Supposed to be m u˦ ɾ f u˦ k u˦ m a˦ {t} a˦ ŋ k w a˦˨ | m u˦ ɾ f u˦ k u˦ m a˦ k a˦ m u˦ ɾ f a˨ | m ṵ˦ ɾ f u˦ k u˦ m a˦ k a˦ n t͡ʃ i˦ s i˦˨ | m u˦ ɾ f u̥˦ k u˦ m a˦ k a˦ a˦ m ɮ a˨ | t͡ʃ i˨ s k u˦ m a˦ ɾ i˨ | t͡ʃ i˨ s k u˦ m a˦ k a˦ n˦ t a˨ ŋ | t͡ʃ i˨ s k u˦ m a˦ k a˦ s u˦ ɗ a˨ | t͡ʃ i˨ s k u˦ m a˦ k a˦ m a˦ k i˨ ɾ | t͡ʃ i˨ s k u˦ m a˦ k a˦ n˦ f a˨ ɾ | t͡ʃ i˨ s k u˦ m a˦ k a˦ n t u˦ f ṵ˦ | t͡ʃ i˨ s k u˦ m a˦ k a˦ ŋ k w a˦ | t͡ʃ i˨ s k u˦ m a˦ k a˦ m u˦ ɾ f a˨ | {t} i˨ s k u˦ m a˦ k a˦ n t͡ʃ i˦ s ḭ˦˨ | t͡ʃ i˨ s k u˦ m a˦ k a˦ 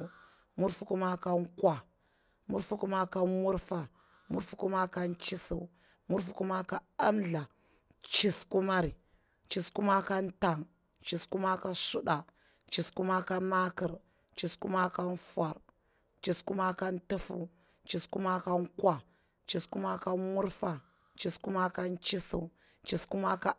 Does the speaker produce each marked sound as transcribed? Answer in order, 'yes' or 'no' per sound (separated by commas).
no, no